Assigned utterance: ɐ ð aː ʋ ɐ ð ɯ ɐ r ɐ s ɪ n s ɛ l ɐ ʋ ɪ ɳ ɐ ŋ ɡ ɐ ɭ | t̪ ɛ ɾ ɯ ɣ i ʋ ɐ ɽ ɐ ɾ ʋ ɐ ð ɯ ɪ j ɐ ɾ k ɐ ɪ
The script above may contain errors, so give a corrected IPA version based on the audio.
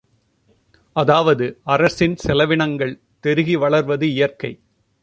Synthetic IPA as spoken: ɐ ð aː ʋ ɐ ð ɯ ɐ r ɐ s ɪ n s ɛ l ɐ ʋ ɪ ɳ ɐ ŋ ɡ ɐ ɭ | t̪ ɛ ɾ ɯ ɣ i ʋ ɐ ɭ ɐ ɾ ʋ ɐ ð ɯ ɪ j ɐ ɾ k ɐ ɪ

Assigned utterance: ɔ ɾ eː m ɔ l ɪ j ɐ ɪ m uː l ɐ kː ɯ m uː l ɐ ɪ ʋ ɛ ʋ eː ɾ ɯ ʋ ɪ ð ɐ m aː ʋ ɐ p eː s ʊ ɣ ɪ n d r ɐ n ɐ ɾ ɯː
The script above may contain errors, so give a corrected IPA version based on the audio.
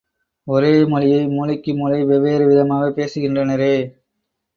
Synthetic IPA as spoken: ɔ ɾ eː m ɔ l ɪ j ɐ ɪ m uː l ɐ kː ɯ m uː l ɐ ɪ ʋ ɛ ʋ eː ɾ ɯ ʋ ɪ ð ɐ m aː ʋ ɐ p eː s ɯ ɣ ɪ n d r ɐ n ɐ ɾ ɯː

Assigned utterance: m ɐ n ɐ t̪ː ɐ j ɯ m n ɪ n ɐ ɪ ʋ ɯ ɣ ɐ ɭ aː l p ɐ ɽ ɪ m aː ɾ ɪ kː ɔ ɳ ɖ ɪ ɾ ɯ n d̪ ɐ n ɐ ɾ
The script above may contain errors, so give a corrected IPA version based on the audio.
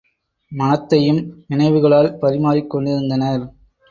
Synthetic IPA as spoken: m ɐ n ɐ t̪ː ɐ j ɯ m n ɪ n ɐ ɪ ʋ ɯ ɣ ɐ ɭ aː l p ɐ ɾ ɪ m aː ɾ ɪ kː ɔ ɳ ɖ ɪ ɾ ɯ n d̪ ɐ n ɐ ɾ

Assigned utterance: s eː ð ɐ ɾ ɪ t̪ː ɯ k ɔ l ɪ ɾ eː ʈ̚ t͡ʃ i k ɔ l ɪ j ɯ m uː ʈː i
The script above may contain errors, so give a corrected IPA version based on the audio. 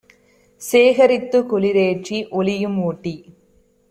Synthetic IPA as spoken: s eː ɣ ɐ ɾ ɪ t̪ː ɯ k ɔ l ɪ ɾ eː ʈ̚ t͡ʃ i ʔ ɔ l ɪ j ɯ m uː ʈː i

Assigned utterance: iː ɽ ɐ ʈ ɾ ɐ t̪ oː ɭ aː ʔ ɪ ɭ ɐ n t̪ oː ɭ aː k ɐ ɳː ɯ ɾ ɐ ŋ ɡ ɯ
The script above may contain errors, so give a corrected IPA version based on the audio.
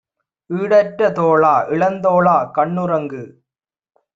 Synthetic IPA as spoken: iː ɽ ɐ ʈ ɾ ɐ t̪ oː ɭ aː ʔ ɪ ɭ ɐ n d̪ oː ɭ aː k ɐ ɳː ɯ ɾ ɐ ŋ ɡ ɯ

